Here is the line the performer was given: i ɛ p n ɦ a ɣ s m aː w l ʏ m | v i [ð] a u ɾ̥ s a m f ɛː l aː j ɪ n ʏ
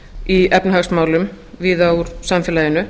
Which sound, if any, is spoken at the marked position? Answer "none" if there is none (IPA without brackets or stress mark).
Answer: ð